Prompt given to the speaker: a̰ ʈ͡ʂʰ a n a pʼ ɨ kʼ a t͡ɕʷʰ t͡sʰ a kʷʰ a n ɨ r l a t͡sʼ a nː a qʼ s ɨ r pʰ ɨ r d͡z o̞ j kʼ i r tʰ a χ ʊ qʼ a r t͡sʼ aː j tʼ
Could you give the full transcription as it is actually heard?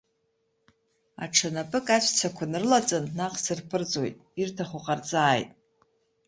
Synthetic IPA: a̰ ʈ͡ʂʰ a n a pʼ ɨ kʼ a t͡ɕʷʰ t͡sʰ a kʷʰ a n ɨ r l a t͡sʼ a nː a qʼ s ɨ r pʰ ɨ r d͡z o̞ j tʼ i r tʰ a χ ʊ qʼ a r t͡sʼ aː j tʼ